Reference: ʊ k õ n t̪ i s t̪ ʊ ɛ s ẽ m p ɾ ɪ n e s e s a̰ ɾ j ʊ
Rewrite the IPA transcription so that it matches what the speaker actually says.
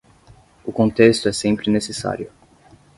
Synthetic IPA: ʊ k õ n t̪ e s t̪ ʊ ɛ s ẽ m p ɾ ɪ n e s e s a̰ ɾ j ʊ